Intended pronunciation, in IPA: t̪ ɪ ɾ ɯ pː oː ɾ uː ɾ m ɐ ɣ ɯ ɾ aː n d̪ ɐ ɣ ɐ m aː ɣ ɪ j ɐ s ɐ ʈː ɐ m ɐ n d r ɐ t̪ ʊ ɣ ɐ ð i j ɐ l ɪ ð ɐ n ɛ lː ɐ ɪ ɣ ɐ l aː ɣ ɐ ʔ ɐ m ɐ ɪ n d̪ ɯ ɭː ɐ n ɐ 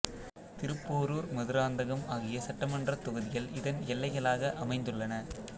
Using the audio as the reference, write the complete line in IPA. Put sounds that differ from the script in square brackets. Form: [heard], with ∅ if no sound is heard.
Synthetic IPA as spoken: t̪ ɪ ɾ ɯ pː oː ɾ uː ɾ m ɐ [ð] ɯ ɾ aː n d̪ ɐ ɣ ɐ m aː ɣ ɪ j ɐ s ɐ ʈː ɐ m ɐ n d r ɐ t̪ ʊ ɣ ɐ ð [ɪ] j ɐ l ɪ ð ɐ n ɛ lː ɐ ɪ ɣ ɐ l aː ɣ ɐ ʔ ɐ m ɐ ɪ n d̪ ɯ ɭː ɐ n ɐ

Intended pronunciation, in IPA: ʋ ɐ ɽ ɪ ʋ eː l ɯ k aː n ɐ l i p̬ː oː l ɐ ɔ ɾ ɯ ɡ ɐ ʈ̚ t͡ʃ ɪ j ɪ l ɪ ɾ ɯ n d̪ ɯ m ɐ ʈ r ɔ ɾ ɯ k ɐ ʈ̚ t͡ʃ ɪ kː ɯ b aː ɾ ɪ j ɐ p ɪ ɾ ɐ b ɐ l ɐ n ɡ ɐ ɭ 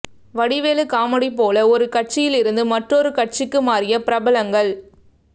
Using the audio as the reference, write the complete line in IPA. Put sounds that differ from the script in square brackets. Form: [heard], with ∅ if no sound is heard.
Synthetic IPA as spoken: ʋ ɐ ɽ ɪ ʋ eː l ɯ k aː [m] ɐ [ɽ] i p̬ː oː l ɐ ɔ ɾ ɯ [k] ɐ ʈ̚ t͡ʃ ɪ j ɪ l ɪ ɾ ɯ n d̪ ɯ m ɐ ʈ r ɔ ɾ ɯ k ɐ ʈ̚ t͡ʃ ɪ kː ɯ [m] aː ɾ ɪ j ɐ p ɪ ɾ ɐ b ɐ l ɐ [ŋ] ɡ ɐ ɭ

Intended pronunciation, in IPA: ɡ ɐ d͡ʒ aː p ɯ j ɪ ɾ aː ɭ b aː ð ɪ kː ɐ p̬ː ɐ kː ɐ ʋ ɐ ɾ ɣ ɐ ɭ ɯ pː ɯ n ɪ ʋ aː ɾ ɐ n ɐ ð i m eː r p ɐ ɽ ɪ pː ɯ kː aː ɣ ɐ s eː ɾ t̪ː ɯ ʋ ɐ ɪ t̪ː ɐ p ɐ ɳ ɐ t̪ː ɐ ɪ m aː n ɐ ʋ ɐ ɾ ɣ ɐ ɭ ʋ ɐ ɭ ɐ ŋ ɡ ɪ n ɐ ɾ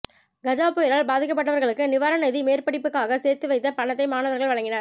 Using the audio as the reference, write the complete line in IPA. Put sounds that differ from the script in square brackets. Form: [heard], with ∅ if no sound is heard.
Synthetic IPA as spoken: ɡ ɐ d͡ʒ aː p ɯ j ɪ ɾ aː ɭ b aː ð ɪ kː ɐ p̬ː ɐ [ʈː] ɐ ʋ ɐ ɾ ɣ ɐ ɭ ɯ [kː] ɯ n ɪ ʋ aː ɾ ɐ n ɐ ð i m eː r p ɐ ɽ ɪ pː ɯ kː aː ɣ ɐ s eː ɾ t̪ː ɯ ʋ ɐ ɪ t̪ː ɐ p ɐ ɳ ɐ t̪ː ɐ ɪ m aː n ɐ ʋ ɐ ɾ ɣ ɐ ɭ ʋ ɐ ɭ ɐ ŋ ɡ ɪ n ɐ ɾ

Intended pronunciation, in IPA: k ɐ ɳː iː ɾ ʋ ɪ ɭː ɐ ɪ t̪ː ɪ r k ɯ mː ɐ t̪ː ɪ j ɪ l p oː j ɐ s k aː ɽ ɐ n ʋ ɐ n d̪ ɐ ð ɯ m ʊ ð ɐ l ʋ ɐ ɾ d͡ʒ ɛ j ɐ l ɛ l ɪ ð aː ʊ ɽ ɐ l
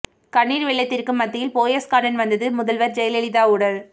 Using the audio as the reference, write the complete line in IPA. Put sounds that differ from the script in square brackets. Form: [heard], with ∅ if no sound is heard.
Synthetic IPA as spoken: k ɐ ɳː iː ɾ ʋ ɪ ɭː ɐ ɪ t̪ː ɪ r k ɯ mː ɐ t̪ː ɪ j ɪ l p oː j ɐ s k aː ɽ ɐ n ʋ ɐ n d̪ ɐ ð ɯ m ʊ ð ɐ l ʋ ɐ ɾ d͡ʒ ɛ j ɐ l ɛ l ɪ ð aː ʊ ɽ ɐ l

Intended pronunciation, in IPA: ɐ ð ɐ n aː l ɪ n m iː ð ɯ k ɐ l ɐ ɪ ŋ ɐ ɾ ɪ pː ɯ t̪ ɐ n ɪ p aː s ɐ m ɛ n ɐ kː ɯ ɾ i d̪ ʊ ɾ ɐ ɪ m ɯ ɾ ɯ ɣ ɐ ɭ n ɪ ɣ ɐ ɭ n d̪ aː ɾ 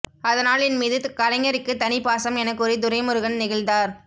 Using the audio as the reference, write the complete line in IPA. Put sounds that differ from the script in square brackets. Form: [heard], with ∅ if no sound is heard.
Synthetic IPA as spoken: ɐ ð ɐ n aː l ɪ n m iː ð ɯ k ɐ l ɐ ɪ ŋ ɐ ɾ ɪ [kː] ɯ t̪ ɐ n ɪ p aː s ɐ m ɛ n ɐ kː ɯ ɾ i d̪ ʊ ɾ ɐ ɪ m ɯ ɾ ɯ ɣ ɐ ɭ n ɪ ɣ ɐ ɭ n d̪ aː ɾ

